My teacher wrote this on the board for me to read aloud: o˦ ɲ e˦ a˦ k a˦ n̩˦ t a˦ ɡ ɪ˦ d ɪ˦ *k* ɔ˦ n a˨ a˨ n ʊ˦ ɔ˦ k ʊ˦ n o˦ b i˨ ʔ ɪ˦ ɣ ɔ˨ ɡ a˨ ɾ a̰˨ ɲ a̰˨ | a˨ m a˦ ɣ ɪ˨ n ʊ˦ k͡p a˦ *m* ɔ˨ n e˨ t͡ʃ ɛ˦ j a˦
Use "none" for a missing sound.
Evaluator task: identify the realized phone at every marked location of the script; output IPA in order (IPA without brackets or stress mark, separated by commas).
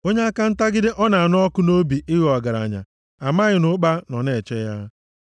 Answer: ʔ, n